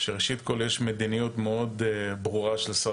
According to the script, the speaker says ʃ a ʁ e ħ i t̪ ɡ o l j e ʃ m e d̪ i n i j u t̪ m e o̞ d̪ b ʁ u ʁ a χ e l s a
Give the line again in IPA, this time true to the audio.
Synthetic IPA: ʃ e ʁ e ʃ i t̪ k o l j e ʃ m e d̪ i n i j u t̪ m e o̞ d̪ b ʁ u ʁ a ʃ e l s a